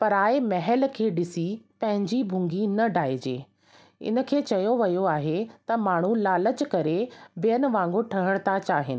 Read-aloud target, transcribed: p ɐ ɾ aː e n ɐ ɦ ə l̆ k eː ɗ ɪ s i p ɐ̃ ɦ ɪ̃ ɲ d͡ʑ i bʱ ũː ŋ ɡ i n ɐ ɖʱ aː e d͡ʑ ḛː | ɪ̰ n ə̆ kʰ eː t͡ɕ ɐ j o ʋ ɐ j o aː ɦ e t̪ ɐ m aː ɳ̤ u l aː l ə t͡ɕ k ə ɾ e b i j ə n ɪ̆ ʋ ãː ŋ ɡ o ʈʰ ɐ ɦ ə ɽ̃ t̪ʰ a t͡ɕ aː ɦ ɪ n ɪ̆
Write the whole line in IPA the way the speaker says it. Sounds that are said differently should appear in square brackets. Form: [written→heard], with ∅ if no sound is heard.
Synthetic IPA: p ɐ ɾ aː e [n→m] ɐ ɦ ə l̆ [k→kʰ] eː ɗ ɪ s i p ɐ̃ ɦ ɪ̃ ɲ d͡ʑ i bʱ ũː ŋ ɡ i n ɐ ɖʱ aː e d͡ʑ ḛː | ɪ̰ n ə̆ kʰ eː t͡ɕ ɐ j o ʋ ɐ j o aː ɦ e t̪ ɐ m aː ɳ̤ u l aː l ə t͡ɕ k [ə→ɐ] ɾ e b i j ə n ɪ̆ ʋ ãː ŋ ɡ o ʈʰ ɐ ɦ ə ɽ̃ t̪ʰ a t͡ɕ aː ɦ ɪ n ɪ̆